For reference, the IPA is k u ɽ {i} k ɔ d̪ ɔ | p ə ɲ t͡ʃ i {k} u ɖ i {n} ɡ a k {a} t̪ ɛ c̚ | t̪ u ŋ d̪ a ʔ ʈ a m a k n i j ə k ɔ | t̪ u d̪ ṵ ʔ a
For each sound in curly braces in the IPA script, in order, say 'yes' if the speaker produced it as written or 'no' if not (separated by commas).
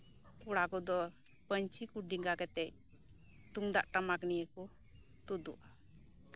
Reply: no, yes, no, no